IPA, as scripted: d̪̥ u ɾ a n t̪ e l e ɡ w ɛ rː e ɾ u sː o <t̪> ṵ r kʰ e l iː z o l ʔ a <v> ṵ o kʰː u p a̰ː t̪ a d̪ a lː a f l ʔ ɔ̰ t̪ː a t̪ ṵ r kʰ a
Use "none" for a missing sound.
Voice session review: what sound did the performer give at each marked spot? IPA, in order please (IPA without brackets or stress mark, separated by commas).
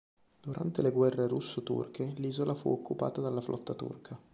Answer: t̪, f